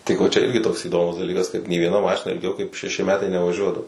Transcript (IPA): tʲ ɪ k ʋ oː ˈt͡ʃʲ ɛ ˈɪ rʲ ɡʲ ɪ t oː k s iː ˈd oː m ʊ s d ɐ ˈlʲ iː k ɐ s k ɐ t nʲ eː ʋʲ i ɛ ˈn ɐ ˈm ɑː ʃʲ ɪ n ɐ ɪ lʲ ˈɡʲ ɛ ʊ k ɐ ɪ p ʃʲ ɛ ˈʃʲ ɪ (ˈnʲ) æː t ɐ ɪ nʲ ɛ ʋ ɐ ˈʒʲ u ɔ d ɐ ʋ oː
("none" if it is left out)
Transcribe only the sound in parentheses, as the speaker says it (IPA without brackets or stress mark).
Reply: mʲ